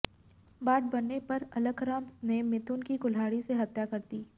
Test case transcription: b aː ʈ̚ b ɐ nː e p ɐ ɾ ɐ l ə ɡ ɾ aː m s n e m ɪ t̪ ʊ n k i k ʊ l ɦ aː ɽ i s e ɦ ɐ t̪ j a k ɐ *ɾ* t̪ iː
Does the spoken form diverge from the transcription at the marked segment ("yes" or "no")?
no